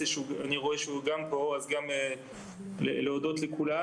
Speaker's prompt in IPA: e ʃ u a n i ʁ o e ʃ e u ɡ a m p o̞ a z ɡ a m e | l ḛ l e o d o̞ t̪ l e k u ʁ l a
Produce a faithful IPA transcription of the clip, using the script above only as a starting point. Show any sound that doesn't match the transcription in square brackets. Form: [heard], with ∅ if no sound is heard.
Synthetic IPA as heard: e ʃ u a n i ʁ o e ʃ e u ɡ a m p o̞ a z ɡ a m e | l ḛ l e o d o̞ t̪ l e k u [∅] l a